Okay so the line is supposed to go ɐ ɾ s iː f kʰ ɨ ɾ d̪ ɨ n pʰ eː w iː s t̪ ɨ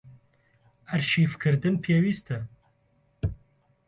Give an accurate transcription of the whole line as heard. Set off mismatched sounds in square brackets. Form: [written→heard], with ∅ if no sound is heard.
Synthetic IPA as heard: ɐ ɾ [s→ʃ] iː f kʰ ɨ ɾ d̪ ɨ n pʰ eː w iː s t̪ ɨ